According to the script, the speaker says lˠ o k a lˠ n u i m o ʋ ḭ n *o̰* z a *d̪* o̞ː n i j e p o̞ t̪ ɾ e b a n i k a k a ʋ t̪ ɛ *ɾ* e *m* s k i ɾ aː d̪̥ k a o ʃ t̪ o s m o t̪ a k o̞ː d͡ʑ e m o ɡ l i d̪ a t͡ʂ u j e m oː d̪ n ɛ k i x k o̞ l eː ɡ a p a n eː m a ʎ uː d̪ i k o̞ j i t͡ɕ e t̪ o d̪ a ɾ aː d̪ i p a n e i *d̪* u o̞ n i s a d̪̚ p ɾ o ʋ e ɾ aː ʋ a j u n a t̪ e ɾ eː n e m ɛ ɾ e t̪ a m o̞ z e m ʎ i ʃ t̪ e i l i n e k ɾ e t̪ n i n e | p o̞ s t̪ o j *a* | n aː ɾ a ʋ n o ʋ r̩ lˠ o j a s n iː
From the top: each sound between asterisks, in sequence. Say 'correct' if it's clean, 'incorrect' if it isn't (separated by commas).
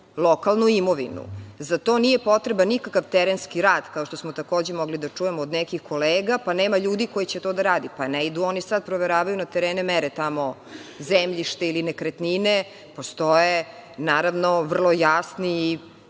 incorrect, incorrect, correct, incorrect, correct, incorrect